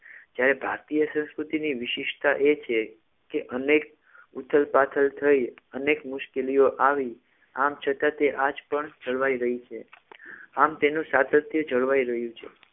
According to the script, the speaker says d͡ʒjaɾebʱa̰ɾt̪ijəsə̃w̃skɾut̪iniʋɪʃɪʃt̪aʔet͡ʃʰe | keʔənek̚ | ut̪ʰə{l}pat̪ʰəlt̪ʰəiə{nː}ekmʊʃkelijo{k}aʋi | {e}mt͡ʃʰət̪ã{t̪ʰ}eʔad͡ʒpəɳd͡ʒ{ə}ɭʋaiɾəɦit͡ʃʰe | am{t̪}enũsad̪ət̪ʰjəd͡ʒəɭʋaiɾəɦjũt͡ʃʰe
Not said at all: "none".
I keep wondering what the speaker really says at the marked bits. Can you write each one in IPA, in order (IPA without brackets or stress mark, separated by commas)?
l, n, ʔ, a, t̪, ə, t̪